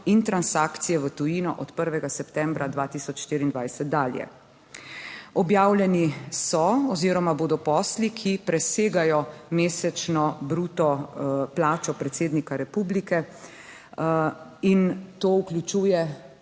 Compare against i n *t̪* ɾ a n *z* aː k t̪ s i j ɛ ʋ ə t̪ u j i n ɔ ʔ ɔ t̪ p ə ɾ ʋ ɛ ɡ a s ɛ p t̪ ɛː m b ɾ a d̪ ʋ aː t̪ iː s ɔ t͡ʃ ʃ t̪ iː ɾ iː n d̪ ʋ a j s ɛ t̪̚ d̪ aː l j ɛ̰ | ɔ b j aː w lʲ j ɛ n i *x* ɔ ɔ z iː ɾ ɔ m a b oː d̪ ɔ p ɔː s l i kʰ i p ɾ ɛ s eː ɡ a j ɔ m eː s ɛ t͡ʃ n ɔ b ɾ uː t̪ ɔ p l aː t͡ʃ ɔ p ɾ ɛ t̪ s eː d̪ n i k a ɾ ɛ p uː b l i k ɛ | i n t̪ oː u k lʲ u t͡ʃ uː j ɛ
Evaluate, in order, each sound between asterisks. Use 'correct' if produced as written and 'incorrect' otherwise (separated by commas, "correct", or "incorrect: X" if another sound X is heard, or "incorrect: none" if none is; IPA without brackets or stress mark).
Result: correct, incorrect: s, incorrect: s